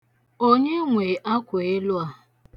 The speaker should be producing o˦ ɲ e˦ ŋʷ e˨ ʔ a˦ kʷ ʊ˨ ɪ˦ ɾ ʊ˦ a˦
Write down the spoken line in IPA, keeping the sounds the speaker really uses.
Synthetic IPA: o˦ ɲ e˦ ŋʷ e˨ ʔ a˦ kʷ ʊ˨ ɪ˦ l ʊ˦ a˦